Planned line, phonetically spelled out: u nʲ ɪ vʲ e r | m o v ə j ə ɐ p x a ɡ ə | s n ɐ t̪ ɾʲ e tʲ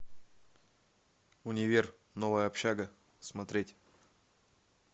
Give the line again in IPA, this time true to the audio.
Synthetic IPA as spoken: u nʲ ɪ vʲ e r | n o v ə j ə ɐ p ɕ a ɡ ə | s m ɐ t̪ ɾʲ e tʲ